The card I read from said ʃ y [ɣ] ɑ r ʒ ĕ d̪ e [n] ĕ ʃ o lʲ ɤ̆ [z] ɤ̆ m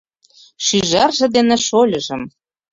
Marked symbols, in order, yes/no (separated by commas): no, yes, no